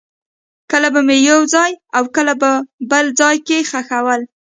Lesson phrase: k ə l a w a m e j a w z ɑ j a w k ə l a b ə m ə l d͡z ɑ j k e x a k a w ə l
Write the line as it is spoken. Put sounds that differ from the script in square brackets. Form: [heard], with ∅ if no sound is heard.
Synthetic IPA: k ə l a [b] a m e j a w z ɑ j a w k ə l a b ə [b] ə l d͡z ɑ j k e x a [x] a w ə l